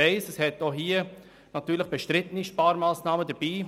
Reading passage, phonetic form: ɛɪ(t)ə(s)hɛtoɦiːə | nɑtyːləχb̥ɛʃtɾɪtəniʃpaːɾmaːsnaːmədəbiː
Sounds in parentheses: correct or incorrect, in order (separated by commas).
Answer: incorrect, correct